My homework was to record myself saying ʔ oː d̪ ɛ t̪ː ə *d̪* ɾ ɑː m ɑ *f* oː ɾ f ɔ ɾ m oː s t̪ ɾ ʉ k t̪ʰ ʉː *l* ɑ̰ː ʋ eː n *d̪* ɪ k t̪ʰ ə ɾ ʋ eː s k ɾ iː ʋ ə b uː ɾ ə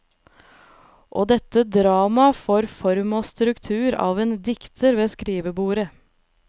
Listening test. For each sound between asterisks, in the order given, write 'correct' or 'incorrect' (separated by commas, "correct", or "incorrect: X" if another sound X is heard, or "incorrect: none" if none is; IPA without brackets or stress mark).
correct, correct, incorrect: ɾ, correct